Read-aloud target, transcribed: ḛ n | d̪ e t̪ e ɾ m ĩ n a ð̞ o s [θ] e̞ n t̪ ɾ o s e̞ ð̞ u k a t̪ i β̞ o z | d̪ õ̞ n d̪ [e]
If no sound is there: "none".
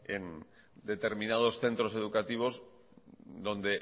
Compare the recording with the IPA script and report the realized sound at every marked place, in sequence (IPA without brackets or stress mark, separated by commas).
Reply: θ, e